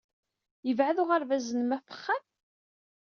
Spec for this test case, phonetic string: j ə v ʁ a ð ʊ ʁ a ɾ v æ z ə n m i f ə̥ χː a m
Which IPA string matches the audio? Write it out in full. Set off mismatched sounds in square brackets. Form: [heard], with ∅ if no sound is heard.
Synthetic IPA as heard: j ə v [ʕ] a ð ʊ ʁ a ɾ v æ z ə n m [æ] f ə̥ χː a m